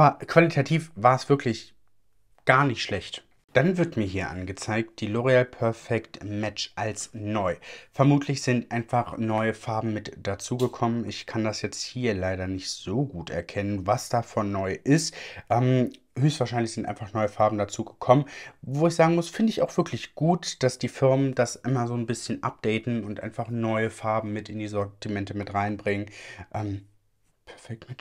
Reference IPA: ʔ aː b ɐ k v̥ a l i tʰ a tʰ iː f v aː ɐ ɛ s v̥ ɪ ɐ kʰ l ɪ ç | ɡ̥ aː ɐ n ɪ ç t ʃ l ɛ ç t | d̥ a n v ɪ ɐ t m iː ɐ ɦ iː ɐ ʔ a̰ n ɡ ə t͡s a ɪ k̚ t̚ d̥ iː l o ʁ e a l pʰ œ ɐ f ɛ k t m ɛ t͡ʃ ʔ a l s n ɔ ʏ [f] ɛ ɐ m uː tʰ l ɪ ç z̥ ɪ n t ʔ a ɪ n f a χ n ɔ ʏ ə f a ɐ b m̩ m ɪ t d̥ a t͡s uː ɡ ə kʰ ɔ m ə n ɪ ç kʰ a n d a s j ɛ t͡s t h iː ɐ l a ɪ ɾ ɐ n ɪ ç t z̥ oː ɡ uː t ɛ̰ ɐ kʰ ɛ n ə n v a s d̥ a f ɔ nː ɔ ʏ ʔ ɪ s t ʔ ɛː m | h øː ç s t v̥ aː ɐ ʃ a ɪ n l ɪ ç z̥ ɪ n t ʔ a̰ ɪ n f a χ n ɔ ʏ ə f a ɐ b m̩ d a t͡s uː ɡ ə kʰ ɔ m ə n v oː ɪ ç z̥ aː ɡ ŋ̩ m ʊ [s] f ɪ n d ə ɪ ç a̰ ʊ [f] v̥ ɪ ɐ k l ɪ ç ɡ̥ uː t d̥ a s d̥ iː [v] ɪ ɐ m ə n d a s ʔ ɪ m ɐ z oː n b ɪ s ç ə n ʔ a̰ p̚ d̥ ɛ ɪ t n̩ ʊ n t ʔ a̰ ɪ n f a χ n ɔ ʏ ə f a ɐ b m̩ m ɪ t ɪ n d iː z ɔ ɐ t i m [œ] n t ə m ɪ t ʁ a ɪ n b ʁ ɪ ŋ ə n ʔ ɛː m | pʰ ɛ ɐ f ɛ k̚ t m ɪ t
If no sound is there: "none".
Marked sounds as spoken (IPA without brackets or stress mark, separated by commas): f, s, x, f, ɛ